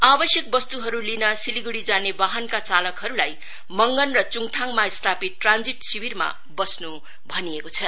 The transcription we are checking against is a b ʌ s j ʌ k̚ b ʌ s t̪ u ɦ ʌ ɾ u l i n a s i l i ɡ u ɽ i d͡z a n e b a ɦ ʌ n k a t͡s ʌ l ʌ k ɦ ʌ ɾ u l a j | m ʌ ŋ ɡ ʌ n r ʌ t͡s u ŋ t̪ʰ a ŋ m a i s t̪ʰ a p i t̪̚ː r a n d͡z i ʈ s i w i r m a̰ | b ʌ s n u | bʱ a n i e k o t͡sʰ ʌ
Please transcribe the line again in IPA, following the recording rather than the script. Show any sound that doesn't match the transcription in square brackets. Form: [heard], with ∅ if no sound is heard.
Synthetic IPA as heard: a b ʌ s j ʌ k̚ b ʌ s t̪ u ɦ ʌ ɾ u l i n [ʌ] s i l i ɡ u ɽ i d͡z a n e b a ɦ ʌ n k a t͡s [a] l ʌ k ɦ ʌ ɾ u l a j | m ʌ ŋ ɡ ʌ n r ʌ t͡s u ŋ t̪ʰ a ŋ m a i s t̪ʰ a p i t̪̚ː r a n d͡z i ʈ s i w i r m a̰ | b ʌ s n u | bʱ [ʌ] n i e k o t͡sʰ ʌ